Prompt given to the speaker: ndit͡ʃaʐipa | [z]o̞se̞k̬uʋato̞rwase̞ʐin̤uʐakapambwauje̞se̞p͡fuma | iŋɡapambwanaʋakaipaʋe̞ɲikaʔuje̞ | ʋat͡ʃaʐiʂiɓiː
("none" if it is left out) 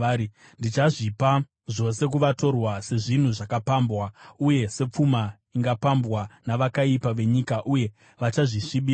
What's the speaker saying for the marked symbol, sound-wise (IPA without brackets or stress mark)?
ʐ